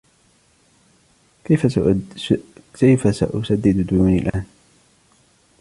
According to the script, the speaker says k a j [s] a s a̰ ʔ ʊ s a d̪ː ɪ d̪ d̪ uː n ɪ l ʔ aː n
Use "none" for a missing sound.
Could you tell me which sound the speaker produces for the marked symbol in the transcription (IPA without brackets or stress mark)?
f